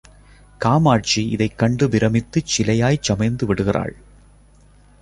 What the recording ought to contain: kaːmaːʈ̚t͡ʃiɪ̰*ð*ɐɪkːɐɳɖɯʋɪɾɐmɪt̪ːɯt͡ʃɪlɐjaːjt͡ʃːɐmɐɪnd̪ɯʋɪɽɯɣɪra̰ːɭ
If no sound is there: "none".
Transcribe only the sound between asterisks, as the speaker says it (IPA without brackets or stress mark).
ð